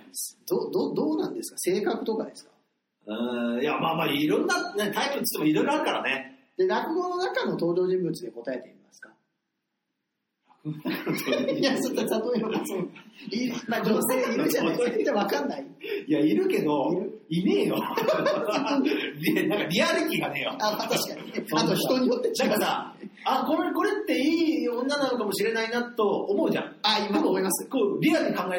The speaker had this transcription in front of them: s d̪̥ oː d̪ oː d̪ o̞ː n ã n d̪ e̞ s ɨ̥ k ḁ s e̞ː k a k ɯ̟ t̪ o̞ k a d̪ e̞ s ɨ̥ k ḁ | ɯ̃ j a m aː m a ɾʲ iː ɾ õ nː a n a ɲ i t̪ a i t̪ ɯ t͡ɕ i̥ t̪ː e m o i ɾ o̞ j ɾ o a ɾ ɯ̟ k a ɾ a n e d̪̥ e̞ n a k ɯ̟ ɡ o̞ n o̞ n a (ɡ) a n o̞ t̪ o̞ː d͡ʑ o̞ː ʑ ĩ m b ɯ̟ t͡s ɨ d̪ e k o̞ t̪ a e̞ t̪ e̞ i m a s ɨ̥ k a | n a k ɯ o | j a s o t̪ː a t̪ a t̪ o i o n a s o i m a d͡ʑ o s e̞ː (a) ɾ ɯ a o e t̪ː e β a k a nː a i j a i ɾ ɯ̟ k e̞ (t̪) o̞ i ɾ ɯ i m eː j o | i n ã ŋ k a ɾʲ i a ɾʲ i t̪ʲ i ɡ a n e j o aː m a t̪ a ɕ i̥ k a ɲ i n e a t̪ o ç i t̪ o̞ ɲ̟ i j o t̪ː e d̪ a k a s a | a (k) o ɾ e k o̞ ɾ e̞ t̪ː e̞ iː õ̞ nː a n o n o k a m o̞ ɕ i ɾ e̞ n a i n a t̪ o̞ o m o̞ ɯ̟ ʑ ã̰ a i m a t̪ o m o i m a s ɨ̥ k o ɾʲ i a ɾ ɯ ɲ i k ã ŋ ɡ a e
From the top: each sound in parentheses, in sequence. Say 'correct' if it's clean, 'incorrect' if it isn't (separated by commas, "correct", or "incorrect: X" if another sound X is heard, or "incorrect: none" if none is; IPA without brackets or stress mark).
incorrect: k, incorrect: i, incorrect: d̪, correct